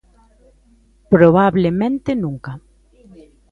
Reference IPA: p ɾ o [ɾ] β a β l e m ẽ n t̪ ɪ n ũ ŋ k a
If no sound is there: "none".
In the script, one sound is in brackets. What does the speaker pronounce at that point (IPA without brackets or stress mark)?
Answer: none